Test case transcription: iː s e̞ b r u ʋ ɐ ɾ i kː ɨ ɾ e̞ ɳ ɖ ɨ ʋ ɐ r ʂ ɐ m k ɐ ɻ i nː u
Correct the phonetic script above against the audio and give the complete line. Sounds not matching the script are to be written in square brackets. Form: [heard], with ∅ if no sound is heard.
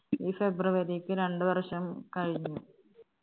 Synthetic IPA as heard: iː [f] e̞ b r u ʋ ɐ ɾ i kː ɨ ɾ e̞ ɳ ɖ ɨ ʋ ɐ r ʂ ɐ m k ɐ ɻ i [ɲː] u